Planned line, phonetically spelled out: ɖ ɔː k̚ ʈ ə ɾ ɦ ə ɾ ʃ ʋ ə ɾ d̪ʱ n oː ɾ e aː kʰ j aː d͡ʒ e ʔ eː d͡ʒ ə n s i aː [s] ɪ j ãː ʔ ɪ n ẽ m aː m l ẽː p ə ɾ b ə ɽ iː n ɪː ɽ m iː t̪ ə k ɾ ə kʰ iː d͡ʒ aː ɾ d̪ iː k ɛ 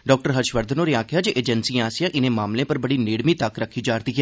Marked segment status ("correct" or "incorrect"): correct